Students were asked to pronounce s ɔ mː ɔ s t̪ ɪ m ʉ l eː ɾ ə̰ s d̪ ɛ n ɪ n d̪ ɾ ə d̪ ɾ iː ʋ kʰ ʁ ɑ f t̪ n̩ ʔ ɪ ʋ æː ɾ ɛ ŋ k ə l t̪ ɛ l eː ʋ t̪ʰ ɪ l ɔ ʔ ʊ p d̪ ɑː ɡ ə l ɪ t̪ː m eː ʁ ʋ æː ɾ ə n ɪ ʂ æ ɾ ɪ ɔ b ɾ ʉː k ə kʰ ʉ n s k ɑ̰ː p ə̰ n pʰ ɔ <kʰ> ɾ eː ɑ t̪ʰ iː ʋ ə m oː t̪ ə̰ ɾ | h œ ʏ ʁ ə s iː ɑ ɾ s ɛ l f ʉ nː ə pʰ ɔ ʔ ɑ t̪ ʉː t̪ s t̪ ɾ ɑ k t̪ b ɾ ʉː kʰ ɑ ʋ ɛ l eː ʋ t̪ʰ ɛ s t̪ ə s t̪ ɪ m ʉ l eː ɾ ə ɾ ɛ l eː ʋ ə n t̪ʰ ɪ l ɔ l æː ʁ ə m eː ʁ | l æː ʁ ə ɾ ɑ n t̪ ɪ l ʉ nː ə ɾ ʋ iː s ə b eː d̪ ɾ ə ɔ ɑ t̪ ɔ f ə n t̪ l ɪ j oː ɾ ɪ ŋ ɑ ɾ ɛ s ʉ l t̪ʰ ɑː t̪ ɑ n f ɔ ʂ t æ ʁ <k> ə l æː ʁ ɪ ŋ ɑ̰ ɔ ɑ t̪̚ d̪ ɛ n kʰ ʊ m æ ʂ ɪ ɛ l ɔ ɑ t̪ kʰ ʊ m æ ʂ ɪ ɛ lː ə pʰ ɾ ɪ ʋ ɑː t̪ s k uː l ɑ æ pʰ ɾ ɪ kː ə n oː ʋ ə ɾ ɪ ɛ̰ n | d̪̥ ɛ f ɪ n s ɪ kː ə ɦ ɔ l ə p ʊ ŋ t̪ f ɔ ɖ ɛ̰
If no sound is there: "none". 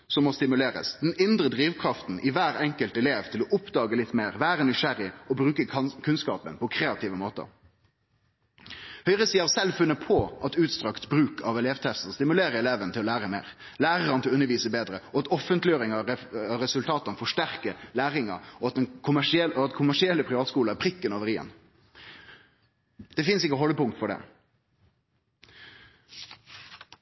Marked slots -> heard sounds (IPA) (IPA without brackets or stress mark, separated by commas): kʰ, k